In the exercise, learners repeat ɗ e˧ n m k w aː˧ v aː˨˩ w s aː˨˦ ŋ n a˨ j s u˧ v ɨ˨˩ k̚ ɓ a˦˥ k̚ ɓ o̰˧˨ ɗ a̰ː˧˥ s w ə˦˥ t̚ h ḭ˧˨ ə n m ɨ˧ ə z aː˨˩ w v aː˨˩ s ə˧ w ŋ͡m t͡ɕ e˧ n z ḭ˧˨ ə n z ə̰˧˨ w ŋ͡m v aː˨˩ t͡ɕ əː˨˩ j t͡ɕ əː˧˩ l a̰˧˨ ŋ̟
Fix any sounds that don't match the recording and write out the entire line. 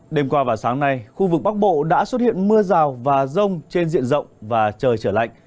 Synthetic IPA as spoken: ɗ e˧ m k w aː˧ v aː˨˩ w s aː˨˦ ŋ n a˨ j x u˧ v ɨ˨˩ k̚ ɓ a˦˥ k̚ ɓ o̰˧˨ ɗ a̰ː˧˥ s w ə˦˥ t̚ h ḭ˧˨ ə n m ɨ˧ ə z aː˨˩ w v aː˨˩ z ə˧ w ŋ͡m t͡ɕ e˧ n z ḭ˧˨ ə n z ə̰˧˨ w ŋ͡m v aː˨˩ t͡ɕ əː˨˩ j t͡ɕ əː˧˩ l a̰˧˨ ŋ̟